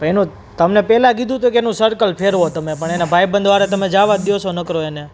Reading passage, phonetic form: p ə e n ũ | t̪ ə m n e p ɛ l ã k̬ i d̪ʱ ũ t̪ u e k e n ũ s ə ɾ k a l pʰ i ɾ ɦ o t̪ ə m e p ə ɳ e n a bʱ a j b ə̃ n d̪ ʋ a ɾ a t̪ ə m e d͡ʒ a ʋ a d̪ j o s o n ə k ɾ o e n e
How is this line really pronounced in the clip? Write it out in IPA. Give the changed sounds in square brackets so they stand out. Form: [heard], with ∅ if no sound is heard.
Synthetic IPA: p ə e n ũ | t̪ ə m n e p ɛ l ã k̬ i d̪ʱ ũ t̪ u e k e n ũ s ə ɾ k [ə] l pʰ [e] ɾ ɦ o t̪ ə m e p ə ɳ e n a bʱ a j b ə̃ n d̪ ʋ a ɾ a t̪ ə m e d͡ʒ a ʋ a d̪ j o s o n ə k ɾ o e n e